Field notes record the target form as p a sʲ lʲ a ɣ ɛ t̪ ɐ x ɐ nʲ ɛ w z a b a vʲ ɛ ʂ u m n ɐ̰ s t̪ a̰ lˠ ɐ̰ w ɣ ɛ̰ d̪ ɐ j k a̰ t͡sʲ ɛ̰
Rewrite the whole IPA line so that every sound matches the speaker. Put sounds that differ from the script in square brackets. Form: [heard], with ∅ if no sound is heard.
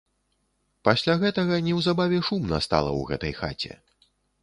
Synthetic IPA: p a sʲ lʲ a ɣ ɛ t̪ ɐ [ɣ] ɐ nʲ ɛ w z a b a vʲ ɛ ʂ u m n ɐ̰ s t̪ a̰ lˠ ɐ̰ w ɣ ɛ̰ [t̪] ɐ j [x] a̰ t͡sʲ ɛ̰